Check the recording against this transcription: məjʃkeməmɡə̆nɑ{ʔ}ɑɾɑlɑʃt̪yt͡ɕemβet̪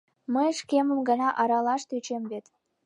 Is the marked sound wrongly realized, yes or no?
no